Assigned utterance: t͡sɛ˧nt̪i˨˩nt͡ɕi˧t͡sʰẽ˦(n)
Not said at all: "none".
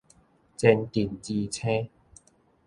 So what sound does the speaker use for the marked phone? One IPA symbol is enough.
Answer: none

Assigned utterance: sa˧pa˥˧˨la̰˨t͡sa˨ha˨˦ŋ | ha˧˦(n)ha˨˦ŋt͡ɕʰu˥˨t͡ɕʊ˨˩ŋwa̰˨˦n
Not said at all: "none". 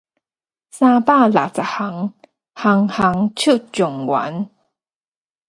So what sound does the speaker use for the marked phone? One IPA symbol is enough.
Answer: ŋ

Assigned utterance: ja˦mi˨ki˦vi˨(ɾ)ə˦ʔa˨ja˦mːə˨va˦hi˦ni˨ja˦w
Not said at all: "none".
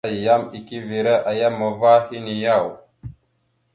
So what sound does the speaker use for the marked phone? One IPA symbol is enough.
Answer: ɾ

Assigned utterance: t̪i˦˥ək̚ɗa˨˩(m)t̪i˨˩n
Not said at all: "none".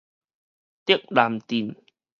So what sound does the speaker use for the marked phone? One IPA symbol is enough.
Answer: m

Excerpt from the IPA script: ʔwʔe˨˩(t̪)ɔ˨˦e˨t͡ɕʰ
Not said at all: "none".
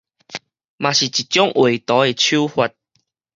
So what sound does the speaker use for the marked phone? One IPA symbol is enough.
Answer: t̪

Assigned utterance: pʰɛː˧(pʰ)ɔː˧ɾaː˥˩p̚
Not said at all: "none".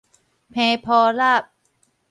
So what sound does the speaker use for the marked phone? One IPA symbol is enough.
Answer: pʰ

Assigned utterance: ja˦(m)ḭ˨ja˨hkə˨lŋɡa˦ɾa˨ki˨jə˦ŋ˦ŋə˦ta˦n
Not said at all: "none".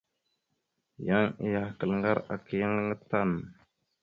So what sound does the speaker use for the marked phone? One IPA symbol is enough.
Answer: ŋ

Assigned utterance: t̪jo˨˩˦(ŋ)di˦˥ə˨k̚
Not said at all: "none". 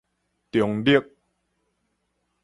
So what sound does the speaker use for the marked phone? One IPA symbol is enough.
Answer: ŋ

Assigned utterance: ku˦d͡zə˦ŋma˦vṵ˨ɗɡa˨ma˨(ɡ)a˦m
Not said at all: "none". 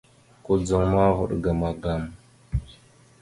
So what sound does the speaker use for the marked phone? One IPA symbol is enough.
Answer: ɡ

